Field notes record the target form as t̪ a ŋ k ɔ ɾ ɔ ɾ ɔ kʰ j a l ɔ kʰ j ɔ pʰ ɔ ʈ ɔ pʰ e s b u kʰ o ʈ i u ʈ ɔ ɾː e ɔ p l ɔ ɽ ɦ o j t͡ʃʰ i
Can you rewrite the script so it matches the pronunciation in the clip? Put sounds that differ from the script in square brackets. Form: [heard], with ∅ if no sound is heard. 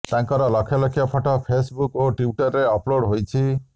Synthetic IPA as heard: t̪ a ŋ k ɔ ɾ ɔ [l] ɔ kʰ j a l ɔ kʰ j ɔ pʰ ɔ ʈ ɔ pʰ e s b u [k] o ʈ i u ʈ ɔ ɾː e ɔ p l [o] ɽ ɦ o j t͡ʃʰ i